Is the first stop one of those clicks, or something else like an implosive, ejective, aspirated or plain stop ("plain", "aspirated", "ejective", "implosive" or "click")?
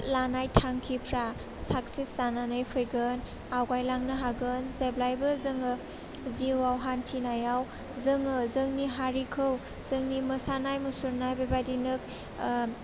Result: aspirated